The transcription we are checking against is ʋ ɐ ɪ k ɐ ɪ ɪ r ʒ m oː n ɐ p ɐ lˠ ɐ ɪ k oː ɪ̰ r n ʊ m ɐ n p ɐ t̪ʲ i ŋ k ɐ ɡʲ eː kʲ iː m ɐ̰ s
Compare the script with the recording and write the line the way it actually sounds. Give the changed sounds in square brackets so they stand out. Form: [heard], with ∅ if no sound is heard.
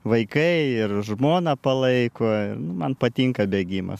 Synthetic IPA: ʋ ɐ ɪ k ɐ ɪ ɪ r ʒ m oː n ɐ p ɐ lˠ ɐ ɪ k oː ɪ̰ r n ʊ m ɐ n p ɐ t̪ʲ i ŋ k ɐ [bʲ] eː [ɡʲ] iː m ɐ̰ s